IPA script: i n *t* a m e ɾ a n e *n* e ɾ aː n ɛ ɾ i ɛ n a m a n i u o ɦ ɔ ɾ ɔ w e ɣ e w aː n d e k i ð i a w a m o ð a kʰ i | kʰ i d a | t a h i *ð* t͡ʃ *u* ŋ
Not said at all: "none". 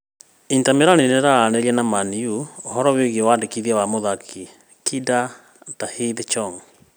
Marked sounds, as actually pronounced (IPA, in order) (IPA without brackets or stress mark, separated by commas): t, n, ð, ɔ